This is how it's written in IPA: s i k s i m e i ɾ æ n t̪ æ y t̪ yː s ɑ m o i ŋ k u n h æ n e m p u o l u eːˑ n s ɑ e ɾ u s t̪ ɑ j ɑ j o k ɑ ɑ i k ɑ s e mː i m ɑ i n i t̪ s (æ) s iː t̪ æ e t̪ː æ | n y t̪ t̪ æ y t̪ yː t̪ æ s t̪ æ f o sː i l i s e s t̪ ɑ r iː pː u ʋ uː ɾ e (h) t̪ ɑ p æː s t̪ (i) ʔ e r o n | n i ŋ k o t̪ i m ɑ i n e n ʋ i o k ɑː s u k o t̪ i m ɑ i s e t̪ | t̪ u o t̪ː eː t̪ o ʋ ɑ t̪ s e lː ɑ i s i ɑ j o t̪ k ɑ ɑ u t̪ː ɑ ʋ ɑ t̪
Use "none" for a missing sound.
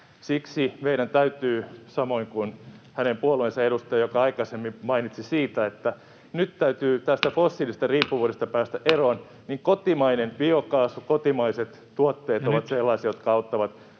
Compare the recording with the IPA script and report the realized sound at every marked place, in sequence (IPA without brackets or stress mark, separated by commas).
i, s, æ